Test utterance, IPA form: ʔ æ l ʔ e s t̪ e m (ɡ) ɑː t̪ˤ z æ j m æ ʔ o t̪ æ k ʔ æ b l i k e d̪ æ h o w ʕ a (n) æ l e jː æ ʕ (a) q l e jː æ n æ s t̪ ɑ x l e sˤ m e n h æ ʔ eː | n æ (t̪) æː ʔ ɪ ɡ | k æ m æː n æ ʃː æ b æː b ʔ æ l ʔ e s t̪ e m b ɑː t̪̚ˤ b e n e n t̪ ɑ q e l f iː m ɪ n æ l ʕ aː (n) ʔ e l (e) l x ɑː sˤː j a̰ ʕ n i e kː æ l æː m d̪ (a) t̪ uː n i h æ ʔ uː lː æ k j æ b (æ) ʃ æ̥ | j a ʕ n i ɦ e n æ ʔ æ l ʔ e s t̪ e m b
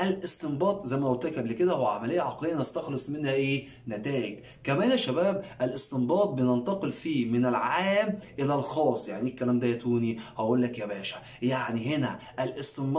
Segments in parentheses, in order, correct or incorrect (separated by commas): incorrect, incorrect, incorrect, correct, incorrect, incorrect, incorrect, incorrect